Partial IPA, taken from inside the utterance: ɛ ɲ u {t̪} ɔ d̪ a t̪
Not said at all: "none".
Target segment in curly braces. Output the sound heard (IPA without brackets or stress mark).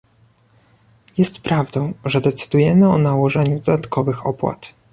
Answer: d̪